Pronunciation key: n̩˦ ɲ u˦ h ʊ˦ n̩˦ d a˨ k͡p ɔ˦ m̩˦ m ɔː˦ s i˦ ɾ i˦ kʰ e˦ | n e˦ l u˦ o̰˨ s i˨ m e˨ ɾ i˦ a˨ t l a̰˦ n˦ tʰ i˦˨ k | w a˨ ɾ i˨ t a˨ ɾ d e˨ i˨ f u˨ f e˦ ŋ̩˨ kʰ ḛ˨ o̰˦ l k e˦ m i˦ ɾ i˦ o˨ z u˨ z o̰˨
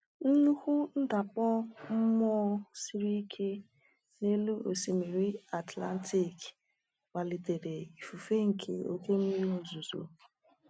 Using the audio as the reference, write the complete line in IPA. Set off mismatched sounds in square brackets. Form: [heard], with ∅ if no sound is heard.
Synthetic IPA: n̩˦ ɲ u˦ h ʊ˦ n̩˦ d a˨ k͡p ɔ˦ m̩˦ m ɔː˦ s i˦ ɾ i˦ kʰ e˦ | n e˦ l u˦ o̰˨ s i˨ m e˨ ɾ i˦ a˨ t l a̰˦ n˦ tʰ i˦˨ k | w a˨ [l] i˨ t [e˨] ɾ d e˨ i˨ f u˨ f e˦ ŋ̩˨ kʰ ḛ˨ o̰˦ [∅] k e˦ m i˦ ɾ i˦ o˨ z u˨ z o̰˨